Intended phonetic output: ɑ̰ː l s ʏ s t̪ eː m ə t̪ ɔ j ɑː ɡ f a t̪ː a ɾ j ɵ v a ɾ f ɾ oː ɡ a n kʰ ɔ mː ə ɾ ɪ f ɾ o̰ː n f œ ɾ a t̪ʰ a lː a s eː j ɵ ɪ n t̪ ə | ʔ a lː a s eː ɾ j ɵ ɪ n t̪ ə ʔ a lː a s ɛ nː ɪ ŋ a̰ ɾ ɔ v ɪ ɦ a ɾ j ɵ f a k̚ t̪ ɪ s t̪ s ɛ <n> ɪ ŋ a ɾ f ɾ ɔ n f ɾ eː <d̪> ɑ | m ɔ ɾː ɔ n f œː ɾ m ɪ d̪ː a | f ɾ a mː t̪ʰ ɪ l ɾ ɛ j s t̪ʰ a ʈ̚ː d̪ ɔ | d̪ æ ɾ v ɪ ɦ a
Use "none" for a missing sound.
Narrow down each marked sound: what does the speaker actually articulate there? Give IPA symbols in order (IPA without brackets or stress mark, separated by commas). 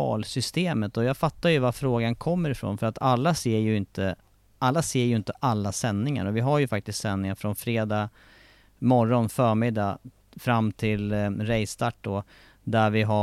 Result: nː, d̪